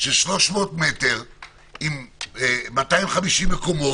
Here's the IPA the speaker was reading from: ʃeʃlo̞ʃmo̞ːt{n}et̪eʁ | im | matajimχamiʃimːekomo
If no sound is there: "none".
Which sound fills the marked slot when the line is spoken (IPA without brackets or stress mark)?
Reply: m